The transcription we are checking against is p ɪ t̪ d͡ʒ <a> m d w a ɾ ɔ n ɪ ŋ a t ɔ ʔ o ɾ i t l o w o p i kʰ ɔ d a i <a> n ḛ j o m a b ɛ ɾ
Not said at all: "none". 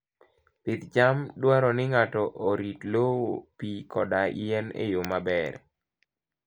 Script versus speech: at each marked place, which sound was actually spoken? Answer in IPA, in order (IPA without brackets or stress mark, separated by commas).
a, ɛ